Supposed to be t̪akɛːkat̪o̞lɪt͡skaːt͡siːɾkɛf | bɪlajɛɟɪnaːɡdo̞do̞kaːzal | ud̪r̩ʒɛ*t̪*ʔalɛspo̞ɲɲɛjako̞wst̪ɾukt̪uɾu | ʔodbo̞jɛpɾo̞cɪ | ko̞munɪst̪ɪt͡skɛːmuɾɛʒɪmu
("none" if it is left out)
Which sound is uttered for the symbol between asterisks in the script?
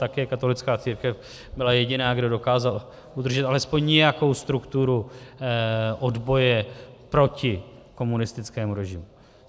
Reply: t̪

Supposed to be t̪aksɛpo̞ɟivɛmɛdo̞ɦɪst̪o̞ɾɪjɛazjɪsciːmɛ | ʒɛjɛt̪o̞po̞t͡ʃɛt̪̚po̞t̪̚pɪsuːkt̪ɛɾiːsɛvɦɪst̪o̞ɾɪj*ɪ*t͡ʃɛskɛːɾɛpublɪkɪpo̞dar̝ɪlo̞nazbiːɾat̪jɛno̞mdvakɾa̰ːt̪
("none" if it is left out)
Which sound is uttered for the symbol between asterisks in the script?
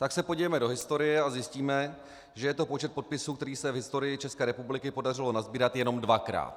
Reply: ɪ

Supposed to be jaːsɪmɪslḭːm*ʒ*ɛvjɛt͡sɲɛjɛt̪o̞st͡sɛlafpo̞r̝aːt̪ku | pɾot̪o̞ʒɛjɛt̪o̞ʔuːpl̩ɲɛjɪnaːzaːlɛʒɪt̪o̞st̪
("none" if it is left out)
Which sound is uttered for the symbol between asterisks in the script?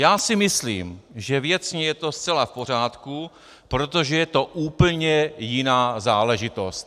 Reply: ʒ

